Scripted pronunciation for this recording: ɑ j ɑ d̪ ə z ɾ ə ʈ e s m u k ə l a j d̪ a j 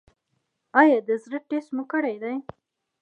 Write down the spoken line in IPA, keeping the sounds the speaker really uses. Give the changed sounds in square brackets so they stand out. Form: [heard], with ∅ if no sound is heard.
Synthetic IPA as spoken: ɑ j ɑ d̪ ə z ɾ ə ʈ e s m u k ə [ɽ] a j d̪ a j